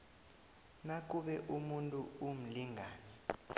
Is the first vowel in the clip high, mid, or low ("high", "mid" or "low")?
low